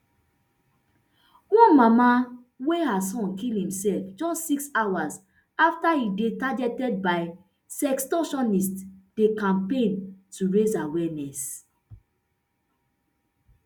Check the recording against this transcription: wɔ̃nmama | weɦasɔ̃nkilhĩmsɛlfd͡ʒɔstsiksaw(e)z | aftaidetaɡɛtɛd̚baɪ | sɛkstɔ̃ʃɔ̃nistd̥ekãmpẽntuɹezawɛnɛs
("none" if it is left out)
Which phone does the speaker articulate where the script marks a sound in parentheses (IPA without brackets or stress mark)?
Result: a